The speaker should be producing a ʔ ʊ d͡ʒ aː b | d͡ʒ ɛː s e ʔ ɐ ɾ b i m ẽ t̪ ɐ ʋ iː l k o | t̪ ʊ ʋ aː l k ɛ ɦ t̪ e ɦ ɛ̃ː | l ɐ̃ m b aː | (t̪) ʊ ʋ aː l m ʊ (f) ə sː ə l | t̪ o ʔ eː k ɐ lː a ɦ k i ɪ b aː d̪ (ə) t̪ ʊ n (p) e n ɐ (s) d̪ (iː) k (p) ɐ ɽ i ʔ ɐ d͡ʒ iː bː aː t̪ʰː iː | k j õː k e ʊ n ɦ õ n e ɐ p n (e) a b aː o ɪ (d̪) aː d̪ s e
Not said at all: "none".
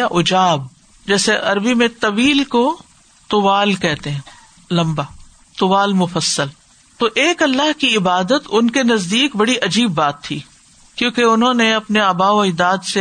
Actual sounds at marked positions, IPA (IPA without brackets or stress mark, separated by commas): t̪, f, ə, k, z, iː, b, e, d̪